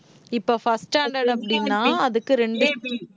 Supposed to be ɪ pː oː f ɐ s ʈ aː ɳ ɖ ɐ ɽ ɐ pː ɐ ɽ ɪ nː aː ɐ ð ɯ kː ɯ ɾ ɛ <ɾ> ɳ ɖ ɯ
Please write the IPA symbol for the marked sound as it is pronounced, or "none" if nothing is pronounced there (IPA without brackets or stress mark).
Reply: none